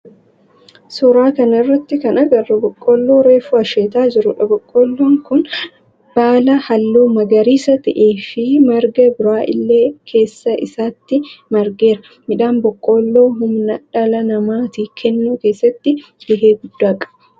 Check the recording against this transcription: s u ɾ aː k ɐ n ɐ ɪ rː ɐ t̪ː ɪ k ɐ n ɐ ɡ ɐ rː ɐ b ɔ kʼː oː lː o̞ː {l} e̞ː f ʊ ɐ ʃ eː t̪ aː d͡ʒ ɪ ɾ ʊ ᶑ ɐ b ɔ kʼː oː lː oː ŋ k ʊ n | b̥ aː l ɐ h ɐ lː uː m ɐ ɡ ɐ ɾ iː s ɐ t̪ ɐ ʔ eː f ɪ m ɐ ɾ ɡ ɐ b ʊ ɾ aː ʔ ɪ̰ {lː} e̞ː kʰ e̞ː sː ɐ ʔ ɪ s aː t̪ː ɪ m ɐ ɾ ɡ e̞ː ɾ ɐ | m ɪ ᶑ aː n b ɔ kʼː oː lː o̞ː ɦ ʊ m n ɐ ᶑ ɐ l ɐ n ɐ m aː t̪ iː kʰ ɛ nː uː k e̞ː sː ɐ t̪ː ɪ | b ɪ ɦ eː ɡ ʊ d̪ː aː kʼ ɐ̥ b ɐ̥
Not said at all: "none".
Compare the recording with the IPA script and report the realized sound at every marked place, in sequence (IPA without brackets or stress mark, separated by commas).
ɾ, lː